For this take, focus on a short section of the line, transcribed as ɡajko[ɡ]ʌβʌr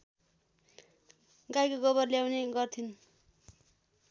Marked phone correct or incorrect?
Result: correct